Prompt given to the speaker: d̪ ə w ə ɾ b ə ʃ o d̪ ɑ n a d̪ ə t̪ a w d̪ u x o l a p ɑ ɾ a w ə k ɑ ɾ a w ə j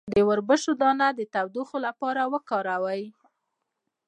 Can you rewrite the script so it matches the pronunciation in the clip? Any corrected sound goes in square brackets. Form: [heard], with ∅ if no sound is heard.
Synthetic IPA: d̪ ə w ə ɾ b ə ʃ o d̪ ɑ n a d̪ ə t̪ a w d̪ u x o l a p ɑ ɾ a w ə k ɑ ɾ a w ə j